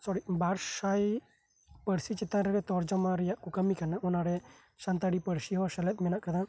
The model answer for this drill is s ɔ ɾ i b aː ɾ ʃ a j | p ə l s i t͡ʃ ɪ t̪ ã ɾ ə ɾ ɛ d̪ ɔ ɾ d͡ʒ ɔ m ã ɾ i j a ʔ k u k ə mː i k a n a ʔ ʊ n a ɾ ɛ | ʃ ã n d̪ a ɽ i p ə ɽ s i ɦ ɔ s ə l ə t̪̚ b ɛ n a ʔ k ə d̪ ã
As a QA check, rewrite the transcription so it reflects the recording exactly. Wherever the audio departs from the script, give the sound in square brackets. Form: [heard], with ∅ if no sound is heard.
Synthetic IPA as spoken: s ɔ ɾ i b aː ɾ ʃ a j | p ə [ɽ] s i t͡ʃ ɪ t̪ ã ɾ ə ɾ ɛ [t̪] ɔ ɾ d͡ʒ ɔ m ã ɾ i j a ʔ k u k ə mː i k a n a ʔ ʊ n a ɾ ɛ | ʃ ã n [t̪] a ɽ i p ə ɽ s i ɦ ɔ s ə l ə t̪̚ [m] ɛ n a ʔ k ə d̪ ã